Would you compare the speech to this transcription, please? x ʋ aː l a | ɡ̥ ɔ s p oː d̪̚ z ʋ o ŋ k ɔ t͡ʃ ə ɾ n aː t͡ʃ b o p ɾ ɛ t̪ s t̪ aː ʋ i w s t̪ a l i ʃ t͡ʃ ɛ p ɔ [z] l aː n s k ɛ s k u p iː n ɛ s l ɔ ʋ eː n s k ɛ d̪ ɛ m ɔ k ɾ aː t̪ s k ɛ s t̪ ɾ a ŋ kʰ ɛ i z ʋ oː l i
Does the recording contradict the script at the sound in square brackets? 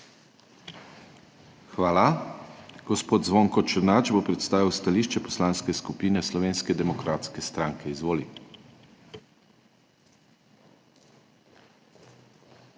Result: yes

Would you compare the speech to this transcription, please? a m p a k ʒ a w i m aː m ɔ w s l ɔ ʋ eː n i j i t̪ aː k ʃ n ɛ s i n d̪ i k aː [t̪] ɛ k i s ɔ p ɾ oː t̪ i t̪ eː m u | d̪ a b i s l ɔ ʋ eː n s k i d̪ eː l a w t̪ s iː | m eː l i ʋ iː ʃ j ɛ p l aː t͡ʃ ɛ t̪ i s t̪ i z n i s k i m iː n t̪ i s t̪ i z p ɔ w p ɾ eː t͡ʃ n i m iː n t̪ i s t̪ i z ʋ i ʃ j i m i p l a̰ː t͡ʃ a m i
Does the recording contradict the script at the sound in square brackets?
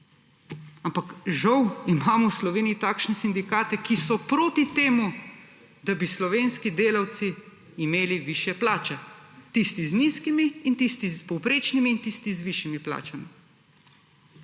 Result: no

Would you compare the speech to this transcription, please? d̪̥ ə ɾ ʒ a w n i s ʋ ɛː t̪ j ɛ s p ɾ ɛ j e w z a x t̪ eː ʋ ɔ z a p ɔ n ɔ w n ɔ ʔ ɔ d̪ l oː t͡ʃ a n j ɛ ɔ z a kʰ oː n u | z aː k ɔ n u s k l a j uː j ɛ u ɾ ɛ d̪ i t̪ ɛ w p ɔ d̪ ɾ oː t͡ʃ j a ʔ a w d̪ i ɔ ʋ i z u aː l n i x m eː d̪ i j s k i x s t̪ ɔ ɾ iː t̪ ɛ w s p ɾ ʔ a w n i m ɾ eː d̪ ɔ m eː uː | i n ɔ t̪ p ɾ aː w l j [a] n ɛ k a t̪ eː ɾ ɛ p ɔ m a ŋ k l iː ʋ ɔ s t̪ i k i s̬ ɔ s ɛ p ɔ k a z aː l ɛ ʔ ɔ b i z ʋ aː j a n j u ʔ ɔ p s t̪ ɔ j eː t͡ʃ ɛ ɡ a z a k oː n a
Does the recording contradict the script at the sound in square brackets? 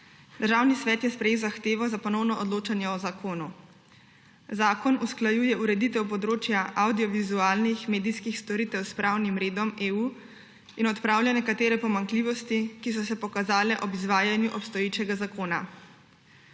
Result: no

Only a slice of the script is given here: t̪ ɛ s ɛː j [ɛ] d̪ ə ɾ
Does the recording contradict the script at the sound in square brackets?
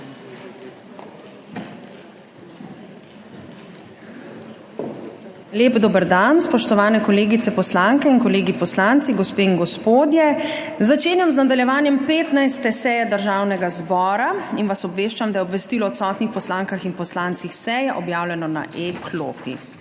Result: no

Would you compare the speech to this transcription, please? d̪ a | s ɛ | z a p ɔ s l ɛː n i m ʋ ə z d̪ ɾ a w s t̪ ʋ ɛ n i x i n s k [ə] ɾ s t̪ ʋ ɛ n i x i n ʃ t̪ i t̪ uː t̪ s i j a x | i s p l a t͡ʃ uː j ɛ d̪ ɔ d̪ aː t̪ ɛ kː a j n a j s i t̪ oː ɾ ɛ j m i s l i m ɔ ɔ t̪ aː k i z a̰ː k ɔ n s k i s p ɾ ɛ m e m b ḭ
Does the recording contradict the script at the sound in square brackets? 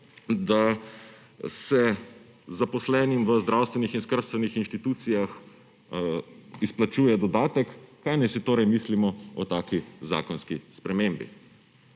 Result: no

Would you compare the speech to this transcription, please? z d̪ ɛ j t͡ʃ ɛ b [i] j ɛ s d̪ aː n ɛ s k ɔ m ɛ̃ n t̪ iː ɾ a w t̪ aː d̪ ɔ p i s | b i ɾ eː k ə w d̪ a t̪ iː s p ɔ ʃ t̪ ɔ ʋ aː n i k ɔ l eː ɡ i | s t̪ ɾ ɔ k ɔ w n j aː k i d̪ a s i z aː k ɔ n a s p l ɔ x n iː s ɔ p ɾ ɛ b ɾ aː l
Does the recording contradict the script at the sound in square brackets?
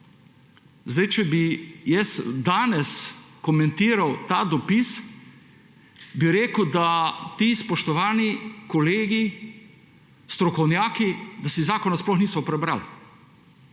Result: no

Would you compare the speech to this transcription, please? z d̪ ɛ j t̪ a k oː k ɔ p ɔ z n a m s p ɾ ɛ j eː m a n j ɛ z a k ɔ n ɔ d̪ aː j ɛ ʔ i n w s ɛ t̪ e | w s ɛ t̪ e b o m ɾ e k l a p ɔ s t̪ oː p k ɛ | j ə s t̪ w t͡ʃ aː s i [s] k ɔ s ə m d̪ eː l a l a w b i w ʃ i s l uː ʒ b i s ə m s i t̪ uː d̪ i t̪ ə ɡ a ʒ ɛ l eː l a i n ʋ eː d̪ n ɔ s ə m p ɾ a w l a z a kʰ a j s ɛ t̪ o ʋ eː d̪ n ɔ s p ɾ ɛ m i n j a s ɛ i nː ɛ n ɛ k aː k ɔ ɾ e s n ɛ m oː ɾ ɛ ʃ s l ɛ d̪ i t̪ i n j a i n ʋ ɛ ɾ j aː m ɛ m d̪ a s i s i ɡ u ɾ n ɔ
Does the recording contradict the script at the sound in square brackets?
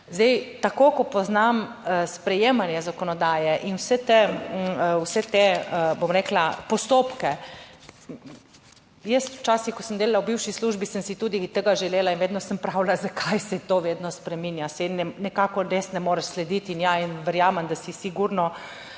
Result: yes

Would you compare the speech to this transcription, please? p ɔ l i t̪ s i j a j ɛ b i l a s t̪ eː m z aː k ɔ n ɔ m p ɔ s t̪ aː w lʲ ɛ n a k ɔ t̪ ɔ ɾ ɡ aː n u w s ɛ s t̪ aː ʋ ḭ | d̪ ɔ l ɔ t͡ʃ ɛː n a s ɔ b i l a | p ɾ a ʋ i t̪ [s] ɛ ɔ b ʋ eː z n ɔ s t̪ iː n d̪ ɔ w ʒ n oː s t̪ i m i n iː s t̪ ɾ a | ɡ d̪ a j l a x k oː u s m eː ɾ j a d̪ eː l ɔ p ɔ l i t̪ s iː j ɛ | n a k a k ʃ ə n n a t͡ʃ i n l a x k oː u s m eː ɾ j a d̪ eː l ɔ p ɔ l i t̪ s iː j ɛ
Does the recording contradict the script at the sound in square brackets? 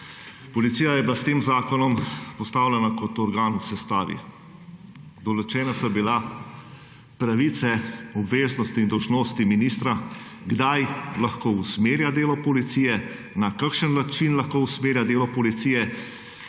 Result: no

